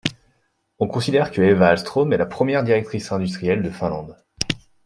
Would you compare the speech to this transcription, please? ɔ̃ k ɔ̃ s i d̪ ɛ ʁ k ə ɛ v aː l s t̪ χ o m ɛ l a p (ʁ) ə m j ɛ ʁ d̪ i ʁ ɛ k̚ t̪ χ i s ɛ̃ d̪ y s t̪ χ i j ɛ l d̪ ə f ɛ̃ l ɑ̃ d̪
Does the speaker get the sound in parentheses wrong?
yes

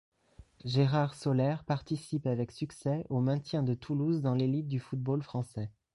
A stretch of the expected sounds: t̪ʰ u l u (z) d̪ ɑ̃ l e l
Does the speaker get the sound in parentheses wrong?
no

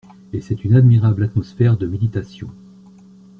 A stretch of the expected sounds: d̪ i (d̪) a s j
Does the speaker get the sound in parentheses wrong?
yes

